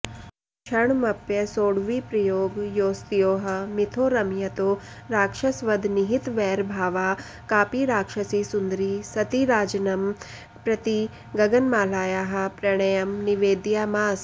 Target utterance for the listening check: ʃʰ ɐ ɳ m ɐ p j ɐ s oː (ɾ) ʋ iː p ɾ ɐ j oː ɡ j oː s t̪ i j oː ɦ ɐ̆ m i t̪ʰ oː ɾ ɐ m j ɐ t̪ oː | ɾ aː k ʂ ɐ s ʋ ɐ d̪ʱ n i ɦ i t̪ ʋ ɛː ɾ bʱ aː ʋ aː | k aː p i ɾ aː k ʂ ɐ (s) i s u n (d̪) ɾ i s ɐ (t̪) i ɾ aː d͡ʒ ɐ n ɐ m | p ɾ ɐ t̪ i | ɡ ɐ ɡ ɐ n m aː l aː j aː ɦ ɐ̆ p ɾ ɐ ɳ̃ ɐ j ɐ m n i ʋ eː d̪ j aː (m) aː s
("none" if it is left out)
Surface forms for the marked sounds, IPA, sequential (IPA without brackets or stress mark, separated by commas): ɽ, s, d̪, t̪, m